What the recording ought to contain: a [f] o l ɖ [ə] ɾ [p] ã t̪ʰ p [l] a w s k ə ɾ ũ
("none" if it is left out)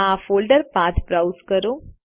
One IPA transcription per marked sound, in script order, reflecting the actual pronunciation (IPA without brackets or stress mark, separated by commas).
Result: f, ə, p, ɾ